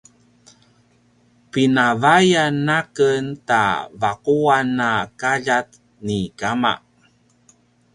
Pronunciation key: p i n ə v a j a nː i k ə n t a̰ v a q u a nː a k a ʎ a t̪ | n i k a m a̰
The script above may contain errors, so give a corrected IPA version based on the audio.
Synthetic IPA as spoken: p i n a v a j a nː a k ə n t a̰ v a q u a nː a k a ʎ a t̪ | n i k a m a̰